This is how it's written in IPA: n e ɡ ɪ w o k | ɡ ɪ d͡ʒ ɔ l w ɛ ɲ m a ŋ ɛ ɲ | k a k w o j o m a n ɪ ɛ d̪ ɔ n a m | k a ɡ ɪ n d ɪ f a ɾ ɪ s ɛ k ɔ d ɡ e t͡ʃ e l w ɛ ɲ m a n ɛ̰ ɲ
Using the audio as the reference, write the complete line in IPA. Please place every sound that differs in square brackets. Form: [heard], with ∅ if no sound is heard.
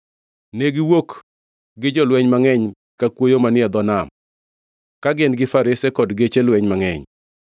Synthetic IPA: n e ɡ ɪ w o k | ɡ ɪ d͡ʒ ɔ l w ɛ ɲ m a ŋ ɛ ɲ | k a k w o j o m a n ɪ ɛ d̪ ɔ n a m | k a ɡ ɪ n [ɡ] ɪ f a ɾ ɪ s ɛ k ɔ d ɡ e t͡ʃ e l w ɛ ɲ m a [ŋ] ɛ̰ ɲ